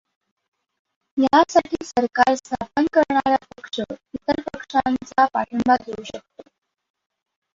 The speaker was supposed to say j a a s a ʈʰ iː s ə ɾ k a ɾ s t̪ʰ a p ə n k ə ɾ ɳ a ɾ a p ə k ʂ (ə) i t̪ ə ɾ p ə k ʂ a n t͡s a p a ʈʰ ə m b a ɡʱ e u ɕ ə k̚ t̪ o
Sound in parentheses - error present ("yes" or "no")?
no